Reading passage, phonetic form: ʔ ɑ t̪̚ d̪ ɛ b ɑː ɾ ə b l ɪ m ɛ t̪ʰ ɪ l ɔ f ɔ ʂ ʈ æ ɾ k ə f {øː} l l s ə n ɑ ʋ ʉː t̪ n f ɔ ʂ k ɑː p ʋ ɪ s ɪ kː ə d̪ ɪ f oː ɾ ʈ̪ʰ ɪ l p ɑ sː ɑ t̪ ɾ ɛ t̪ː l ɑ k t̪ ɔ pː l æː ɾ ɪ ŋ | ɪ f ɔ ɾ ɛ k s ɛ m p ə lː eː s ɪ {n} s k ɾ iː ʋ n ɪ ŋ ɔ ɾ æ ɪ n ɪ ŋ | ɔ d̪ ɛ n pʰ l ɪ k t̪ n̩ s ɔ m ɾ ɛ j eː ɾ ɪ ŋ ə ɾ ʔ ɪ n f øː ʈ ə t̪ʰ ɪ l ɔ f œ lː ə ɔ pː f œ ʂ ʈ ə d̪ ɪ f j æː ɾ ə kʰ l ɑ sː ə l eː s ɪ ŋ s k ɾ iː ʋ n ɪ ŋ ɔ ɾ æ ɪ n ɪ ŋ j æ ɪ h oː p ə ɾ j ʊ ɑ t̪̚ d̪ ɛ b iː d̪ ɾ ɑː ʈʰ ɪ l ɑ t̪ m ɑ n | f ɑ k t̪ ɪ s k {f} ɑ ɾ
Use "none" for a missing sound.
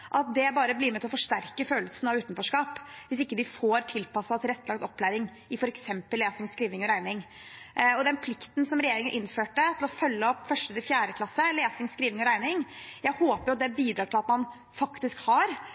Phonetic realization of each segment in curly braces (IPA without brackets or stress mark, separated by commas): øː, ŋ, h